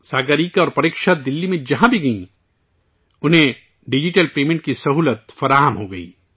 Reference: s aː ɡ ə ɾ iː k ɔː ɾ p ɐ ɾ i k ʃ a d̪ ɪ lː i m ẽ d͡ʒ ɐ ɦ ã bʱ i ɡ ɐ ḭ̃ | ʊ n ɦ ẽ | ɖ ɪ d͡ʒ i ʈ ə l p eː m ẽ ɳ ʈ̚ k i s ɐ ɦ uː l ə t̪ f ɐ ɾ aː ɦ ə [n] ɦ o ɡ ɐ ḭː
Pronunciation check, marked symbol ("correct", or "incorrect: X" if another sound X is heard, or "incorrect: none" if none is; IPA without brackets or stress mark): incorrect: m